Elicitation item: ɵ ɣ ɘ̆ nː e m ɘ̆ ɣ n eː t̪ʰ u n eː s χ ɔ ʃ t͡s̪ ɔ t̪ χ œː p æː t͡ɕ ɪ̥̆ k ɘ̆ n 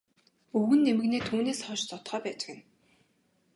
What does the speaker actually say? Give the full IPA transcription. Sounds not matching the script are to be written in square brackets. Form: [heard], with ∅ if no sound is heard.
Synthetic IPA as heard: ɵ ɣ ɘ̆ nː e m ɘ̆ ɣ n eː t̪ʰ [uː] n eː s χ ɔ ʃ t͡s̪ ɔ t̪ χ œː p æː t͡ɕ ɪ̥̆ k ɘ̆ n